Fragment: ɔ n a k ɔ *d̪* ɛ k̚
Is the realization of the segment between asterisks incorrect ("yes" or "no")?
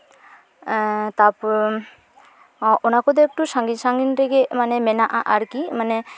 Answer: no